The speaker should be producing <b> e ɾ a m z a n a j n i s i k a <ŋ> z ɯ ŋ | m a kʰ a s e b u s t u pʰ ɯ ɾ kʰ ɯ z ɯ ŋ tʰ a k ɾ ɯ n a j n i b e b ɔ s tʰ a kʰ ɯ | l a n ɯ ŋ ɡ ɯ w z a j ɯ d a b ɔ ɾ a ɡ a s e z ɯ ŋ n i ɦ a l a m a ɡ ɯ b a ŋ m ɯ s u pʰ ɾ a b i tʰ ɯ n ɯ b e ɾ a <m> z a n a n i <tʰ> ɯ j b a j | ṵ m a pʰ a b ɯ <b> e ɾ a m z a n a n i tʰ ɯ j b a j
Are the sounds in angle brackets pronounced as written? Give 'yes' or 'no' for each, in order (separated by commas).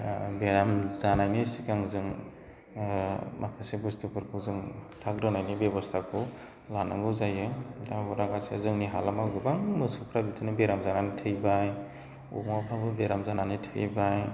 yes, yes, yes, yes, yes